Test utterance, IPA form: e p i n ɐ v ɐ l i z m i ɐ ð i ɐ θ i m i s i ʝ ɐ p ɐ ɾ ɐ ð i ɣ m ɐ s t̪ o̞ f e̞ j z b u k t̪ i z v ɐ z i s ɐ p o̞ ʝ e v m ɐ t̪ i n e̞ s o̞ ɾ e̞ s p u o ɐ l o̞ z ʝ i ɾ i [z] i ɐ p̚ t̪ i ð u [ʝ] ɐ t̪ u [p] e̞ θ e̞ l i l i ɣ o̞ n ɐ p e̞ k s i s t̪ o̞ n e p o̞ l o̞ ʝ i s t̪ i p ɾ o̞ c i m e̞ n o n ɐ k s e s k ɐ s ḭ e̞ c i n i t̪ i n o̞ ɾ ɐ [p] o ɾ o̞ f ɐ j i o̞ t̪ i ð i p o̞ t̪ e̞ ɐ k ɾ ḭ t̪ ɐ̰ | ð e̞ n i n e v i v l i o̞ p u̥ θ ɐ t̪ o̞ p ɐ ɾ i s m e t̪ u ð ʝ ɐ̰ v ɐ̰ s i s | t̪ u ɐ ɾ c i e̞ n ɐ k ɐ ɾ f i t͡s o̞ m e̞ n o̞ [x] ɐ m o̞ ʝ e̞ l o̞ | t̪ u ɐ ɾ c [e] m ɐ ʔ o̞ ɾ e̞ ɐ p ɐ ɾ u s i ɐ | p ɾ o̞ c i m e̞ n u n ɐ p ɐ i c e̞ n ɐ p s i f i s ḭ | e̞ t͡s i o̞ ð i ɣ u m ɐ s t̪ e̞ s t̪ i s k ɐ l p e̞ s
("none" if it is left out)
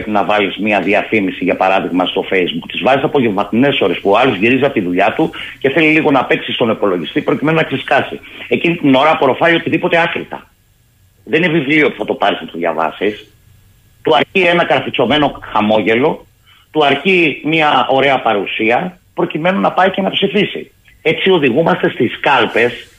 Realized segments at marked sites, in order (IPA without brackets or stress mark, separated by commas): z, ʎ, c, p, x, i